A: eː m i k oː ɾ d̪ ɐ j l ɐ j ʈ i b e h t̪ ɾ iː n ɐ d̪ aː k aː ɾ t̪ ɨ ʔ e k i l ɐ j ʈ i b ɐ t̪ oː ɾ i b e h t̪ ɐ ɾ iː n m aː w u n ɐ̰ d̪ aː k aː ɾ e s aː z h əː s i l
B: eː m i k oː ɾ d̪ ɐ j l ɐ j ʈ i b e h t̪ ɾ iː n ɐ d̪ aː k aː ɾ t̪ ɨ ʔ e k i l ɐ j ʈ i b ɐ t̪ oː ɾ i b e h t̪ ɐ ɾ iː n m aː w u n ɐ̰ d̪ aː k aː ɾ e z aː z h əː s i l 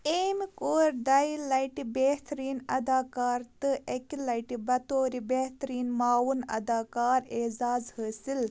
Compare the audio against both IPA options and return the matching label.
B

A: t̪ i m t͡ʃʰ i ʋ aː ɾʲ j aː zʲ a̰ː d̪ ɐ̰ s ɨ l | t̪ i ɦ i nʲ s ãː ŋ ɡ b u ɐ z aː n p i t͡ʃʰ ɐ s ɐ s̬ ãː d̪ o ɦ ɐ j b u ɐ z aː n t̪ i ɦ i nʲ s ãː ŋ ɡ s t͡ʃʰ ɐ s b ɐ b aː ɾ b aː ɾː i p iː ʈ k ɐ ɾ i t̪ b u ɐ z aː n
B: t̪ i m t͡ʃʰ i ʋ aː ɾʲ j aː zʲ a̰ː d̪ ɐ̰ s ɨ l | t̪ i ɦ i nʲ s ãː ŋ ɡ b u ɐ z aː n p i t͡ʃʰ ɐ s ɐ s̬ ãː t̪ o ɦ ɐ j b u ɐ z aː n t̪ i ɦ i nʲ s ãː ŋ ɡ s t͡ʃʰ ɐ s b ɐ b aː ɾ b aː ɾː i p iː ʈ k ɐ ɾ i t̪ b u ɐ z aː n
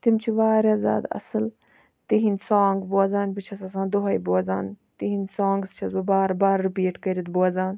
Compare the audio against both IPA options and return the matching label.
A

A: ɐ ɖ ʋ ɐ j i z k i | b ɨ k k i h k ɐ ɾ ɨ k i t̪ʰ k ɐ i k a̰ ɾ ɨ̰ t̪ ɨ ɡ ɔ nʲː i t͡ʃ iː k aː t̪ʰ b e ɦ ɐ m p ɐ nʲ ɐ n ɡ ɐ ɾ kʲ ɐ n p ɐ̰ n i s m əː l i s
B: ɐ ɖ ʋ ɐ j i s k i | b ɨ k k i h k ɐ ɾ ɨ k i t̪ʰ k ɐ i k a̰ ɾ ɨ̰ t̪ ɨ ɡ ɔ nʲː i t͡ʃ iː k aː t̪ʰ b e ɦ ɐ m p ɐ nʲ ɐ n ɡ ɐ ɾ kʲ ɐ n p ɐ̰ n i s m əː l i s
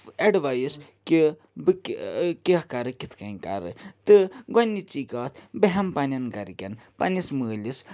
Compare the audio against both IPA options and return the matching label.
B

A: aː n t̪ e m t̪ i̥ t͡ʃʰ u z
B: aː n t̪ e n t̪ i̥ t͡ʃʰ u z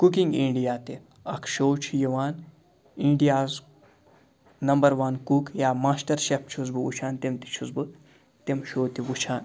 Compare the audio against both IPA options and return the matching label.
A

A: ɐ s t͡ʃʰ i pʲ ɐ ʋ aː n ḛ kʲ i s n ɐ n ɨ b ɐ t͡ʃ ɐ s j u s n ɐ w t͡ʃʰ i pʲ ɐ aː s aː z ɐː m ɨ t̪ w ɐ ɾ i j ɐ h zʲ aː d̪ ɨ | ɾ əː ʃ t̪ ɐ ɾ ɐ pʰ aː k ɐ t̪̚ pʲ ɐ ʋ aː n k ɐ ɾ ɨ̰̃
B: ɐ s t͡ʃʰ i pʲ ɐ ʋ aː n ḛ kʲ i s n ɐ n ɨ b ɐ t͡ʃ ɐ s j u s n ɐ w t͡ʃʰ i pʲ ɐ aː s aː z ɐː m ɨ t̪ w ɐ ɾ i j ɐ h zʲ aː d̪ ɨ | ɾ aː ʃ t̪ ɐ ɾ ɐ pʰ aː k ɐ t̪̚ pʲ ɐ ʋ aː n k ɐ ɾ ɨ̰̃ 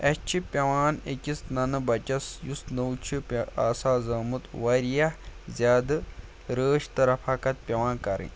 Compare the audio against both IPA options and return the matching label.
A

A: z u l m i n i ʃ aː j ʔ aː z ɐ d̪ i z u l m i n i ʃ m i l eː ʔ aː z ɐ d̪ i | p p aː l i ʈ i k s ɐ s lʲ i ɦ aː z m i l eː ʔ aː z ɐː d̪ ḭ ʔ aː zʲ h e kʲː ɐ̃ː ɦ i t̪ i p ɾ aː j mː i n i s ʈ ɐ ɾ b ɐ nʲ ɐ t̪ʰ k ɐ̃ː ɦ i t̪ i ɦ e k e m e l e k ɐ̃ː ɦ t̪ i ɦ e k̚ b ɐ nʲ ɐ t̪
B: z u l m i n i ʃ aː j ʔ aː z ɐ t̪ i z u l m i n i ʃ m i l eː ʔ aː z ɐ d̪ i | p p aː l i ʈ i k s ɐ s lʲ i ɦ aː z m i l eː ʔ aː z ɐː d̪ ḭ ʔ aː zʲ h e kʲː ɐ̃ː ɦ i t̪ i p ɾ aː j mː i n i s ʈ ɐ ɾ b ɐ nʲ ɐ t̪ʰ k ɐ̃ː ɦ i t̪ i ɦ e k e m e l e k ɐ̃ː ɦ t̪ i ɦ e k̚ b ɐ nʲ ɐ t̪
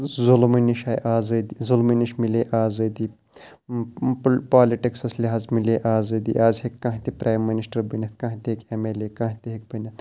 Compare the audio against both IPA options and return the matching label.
A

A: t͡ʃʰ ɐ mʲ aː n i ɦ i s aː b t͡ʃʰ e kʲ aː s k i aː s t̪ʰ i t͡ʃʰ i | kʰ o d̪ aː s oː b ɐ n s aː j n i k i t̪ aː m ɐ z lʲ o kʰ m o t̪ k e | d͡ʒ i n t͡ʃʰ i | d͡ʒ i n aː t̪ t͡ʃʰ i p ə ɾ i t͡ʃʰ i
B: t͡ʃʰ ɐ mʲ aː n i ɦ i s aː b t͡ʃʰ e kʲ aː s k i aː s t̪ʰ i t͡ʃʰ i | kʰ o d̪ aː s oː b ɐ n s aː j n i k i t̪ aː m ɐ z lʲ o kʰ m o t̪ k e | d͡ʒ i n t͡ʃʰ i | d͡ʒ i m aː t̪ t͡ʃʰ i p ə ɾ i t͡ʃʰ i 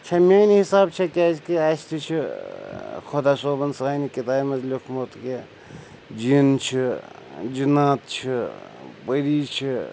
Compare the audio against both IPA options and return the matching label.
A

